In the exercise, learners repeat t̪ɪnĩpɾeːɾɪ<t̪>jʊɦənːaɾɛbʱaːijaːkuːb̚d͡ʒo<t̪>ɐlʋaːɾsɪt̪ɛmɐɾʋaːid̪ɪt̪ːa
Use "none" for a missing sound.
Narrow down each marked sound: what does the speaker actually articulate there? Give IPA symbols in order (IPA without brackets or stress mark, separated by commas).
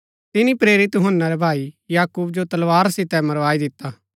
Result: t̪, t̪